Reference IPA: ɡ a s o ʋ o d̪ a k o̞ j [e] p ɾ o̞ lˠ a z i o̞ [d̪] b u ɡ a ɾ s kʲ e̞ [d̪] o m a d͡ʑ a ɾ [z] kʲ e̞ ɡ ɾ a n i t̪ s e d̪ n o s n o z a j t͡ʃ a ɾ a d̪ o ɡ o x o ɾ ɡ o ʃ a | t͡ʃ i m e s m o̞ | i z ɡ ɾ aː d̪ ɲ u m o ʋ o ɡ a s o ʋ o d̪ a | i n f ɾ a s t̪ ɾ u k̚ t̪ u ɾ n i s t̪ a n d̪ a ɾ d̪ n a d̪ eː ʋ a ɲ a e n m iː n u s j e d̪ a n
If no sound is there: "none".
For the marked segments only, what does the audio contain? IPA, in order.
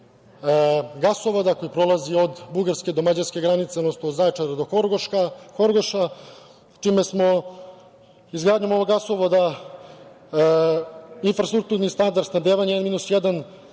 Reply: i, d̪, d̪, s

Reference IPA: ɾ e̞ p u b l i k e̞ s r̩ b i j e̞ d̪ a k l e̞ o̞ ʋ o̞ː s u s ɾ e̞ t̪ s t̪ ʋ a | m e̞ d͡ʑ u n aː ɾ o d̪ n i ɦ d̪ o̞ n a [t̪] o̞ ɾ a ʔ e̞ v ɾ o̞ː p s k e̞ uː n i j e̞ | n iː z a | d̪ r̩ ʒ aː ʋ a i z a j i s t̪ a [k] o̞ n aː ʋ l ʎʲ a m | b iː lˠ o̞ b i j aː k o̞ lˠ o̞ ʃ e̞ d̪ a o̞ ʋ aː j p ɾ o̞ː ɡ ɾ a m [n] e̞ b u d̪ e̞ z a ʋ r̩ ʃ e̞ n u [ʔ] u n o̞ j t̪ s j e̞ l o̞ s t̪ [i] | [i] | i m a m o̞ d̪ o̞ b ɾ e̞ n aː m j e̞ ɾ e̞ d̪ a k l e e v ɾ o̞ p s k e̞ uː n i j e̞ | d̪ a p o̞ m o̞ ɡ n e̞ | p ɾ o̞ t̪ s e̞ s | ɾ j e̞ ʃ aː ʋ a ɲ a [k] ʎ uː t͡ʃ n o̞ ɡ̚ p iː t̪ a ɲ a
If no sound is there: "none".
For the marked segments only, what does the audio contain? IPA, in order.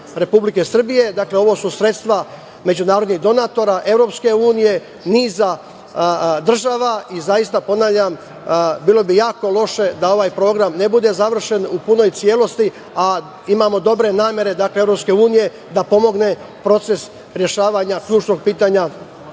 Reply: t̪, p, n, p, i, a, k

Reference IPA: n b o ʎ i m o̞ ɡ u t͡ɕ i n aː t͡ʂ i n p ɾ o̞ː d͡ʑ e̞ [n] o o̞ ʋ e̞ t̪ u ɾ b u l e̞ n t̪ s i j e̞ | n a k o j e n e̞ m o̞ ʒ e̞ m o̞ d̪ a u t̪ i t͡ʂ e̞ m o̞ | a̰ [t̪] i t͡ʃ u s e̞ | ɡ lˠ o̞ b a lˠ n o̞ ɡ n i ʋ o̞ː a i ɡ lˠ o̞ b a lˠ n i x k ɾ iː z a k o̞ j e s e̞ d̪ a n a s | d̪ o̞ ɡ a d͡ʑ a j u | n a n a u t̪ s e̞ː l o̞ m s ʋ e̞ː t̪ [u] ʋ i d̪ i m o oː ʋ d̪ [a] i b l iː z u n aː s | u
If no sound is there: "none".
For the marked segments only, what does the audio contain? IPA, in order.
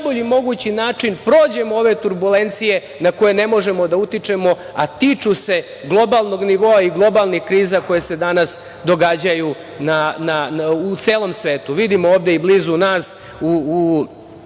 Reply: m, t̪, u, e

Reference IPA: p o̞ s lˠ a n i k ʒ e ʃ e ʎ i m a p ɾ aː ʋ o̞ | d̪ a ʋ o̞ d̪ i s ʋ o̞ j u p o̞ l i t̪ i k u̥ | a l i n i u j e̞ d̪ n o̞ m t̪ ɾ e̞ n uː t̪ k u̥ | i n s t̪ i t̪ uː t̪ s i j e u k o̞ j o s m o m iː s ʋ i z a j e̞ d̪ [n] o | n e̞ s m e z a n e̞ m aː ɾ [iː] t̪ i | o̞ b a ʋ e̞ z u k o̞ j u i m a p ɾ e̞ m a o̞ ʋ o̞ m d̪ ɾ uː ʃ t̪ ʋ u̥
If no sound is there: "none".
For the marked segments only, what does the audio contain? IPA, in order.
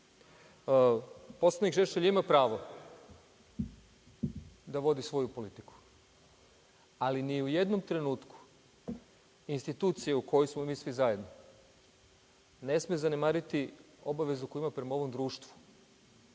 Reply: n, i

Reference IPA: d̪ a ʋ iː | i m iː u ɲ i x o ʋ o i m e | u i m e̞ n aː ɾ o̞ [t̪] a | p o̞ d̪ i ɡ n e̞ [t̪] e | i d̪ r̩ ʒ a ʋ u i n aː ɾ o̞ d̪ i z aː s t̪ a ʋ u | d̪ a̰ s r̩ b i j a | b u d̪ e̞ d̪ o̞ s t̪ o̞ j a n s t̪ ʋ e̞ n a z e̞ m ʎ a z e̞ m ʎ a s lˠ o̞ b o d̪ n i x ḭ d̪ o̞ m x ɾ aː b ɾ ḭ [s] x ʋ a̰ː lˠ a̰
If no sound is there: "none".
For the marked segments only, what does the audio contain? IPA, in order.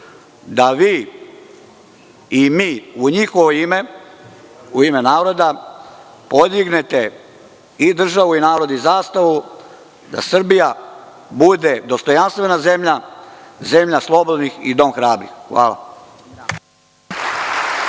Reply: d̪, t̪, x

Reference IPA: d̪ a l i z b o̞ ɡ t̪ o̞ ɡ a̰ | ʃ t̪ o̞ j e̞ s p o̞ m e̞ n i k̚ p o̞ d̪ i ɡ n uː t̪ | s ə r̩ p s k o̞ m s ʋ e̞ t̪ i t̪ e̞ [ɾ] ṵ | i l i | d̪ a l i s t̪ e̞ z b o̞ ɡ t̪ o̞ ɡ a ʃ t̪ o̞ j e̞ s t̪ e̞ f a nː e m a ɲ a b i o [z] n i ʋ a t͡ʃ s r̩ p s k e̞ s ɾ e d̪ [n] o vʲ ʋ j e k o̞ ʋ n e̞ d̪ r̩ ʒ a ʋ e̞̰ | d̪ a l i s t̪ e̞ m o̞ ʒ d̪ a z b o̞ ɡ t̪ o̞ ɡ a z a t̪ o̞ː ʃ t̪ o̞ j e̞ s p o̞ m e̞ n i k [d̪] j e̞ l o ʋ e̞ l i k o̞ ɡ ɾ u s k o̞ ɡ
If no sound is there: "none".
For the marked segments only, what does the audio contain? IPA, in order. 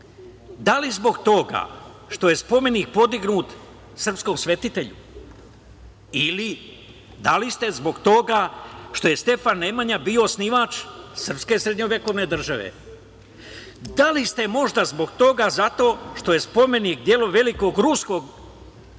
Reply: ʎ, s, ɲ, d̪

